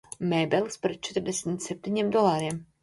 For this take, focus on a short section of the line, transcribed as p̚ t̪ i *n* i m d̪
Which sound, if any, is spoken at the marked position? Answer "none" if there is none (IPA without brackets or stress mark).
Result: ɲ